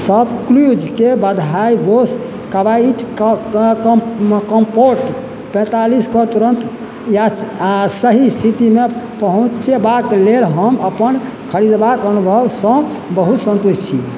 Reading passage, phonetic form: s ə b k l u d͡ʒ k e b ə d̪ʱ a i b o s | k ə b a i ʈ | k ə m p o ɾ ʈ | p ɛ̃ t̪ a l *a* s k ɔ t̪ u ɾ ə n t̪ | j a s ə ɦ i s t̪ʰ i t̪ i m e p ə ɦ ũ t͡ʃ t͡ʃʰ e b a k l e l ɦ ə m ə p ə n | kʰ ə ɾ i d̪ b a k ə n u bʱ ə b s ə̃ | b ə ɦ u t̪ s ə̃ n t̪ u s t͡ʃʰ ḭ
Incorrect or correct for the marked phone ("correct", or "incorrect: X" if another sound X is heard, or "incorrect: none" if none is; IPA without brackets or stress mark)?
incorrect: i